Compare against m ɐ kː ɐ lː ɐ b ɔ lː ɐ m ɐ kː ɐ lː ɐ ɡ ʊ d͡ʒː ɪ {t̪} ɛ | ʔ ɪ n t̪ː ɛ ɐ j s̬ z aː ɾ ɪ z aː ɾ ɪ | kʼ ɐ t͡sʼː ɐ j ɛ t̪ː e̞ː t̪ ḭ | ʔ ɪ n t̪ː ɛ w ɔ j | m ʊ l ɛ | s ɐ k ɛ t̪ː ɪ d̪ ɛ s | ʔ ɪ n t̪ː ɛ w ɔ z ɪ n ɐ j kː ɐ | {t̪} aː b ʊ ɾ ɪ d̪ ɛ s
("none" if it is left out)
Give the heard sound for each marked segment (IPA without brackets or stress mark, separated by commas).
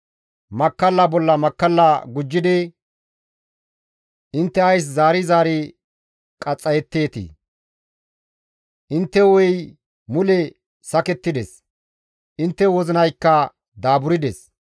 d̪, d̪